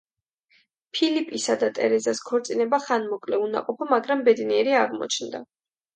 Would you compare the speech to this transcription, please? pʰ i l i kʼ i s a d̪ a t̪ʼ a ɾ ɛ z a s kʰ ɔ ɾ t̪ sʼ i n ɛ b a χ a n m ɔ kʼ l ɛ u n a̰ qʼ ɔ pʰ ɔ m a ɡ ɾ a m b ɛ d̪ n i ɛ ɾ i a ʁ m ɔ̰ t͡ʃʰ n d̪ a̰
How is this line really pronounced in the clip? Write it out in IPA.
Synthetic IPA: pʰ i l i pʼ i s a d̪ a t̪ʼ ɛ ɾ ɛ z a s kʰ ɔ ɾ t̪ sʼ i n ɛ b a χ a n m ɔ kʼ l ɛ u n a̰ qʼ ɔ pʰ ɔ m a ɡ ɾ a m b ɛ d̪ n i ɛ ɾ i a ʁ m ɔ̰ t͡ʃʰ n d̪ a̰